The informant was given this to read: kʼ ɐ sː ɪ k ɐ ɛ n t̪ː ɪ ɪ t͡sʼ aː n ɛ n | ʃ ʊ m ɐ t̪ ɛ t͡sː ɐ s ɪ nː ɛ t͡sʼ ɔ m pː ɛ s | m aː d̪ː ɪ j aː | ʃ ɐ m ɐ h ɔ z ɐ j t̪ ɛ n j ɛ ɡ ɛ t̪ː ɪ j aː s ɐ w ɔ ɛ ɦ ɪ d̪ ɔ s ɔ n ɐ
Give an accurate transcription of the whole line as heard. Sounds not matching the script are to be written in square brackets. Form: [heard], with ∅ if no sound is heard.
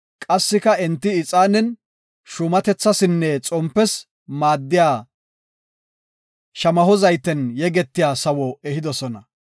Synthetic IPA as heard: kʼ ɐ sː ɪ k ɐ ɛ n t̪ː ɪ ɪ t͡sʼ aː n ɛ n | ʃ ʊ m ɐ t̪ ɛ t͡sː ɐ s ɪ nː ɛ t͡sʼ ɔ m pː ɛ s | m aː d̪ː ɪ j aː | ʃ ɐ m ɐ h ɔ z ɐ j t̪ ɛ n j ɛ ɡ ɛ t̪ː ɪ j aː s ɐ w ɔ ɛ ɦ ɪ d̪ ɔ s ɔ n ɐ